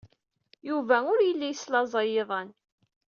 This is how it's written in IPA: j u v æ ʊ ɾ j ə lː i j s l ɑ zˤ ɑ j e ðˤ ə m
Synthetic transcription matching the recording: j u v æ ʊ ɾ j ə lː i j s l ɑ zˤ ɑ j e ðˤ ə n